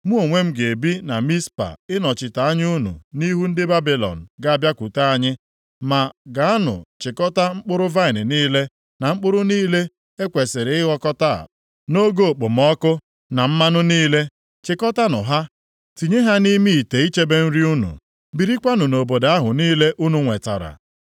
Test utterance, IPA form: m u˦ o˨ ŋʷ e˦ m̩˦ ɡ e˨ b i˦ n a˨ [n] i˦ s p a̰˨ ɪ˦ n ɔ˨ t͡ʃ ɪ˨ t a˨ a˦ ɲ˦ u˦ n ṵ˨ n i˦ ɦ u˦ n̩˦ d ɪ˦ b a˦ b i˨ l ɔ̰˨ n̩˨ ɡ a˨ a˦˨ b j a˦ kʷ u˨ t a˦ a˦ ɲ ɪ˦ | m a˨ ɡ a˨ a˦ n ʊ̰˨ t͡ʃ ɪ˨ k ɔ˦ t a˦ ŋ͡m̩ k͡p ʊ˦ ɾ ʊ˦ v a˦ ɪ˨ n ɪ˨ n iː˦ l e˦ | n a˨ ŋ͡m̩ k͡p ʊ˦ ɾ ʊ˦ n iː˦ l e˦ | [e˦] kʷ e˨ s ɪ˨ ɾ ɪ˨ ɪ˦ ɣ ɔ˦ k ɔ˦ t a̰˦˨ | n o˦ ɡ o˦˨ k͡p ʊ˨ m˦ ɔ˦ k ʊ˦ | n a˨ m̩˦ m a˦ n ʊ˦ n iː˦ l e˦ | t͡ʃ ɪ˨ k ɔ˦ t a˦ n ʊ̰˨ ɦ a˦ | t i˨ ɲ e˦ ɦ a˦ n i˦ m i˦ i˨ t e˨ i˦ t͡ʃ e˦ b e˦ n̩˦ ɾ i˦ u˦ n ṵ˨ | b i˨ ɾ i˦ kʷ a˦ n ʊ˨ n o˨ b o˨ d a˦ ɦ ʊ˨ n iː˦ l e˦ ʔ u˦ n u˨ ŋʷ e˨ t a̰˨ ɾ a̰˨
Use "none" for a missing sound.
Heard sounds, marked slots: m, e˦

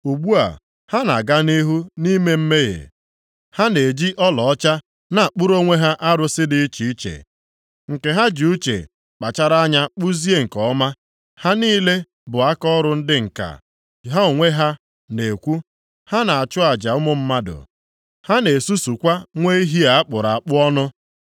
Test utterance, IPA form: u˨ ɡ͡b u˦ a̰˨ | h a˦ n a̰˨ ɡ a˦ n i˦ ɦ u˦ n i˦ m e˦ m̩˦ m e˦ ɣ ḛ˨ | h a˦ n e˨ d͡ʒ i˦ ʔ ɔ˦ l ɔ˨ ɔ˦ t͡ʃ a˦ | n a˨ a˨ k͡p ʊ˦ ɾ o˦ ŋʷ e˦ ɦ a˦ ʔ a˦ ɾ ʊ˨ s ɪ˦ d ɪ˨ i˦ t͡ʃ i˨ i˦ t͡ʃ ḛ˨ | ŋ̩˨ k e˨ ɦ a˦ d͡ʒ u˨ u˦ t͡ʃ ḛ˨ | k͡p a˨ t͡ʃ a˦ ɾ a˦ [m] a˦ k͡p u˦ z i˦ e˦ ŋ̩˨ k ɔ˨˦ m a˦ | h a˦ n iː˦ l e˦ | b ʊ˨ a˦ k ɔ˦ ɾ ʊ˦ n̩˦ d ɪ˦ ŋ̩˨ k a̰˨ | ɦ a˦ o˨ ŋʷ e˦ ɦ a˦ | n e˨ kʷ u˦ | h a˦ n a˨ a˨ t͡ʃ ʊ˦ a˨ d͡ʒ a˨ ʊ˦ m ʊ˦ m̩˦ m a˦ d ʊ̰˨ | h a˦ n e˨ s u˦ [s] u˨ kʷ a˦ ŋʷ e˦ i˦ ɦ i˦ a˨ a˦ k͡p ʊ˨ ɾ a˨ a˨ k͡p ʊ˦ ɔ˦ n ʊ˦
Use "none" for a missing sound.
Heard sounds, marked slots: ɲ, s

